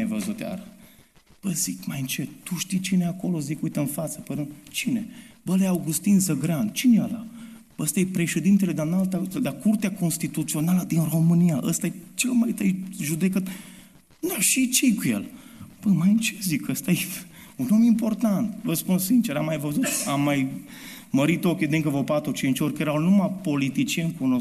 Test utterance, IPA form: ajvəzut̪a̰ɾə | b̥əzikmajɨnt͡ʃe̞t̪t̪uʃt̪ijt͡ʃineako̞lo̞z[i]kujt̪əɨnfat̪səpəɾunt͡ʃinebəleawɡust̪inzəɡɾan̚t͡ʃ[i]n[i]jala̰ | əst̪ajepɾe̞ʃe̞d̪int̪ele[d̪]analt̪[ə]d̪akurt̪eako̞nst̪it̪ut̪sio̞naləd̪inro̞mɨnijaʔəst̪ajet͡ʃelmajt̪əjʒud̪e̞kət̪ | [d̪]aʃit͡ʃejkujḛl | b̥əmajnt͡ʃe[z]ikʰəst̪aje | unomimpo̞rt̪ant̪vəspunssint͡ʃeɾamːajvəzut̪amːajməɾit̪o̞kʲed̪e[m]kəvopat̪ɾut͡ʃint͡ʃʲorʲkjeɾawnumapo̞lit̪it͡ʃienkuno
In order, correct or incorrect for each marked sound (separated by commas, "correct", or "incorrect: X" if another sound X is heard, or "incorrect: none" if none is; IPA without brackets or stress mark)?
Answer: correct, correct, incorrect: e, correct, incorrect: a, correct, correct, incorrect: ŋ